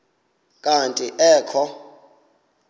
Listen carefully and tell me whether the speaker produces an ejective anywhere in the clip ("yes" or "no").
yes